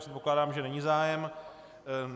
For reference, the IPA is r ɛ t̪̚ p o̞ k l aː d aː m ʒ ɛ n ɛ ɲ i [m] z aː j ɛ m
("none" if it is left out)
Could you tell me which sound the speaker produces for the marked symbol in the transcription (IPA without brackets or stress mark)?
none